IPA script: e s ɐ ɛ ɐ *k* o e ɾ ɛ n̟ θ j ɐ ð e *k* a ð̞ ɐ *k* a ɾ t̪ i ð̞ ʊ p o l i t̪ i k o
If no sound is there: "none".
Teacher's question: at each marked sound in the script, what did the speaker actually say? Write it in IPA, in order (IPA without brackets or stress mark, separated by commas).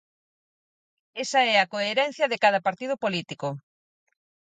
k, k, p